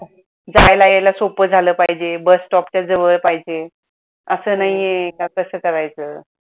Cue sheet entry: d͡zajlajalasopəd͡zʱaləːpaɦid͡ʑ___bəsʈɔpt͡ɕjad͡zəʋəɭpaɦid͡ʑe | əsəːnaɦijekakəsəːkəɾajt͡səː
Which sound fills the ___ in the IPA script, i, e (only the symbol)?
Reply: e